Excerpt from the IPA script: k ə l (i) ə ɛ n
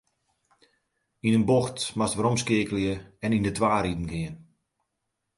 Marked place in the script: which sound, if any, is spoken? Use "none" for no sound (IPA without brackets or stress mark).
j